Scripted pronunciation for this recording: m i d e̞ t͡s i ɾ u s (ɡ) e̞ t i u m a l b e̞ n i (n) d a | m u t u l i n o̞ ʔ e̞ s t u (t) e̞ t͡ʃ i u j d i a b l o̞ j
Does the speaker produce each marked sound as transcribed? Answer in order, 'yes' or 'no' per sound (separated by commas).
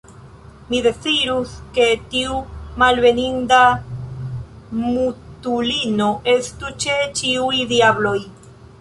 no, yes, no